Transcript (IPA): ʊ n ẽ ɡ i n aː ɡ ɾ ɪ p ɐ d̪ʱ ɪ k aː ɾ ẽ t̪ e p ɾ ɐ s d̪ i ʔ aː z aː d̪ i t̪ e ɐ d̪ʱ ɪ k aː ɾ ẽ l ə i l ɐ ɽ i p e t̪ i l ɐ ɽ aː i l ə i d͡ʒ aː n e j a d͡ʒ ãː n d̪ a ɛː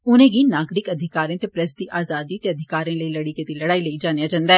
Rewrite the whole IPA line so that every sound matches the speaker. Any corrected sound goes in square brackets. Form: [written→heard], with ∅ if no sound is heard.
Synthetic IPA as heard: ʊ n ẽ ɡ i n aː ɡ ɾ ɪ [p→k] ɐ d̪ʱ ɪ k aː ɾ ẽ t̪ e p ɾ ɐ s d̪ i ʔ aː z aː d̪ i t̪ e ɐ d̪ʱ ɪ k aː ɾ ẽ l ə i l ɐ ɽ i [p→k] e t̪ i l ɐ ɽ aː i l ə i d͡ʒ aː n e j a d͡ʒ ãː n d̪ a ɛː